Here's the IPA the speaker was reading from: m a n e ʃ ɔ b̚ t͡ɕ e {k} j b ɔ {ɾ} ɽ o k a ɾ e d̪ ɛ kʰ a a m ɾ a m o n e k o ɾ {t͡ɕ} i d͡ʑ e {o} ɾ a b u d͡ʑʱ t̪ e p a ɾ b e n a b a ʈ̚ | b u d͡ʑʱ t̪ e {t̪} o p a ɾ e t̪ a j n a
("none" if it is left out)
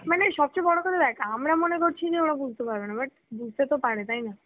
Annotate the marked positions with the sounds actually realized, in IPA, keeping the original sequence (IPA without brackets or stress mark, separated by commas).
none, none, t͡ɕʰ, o, t̪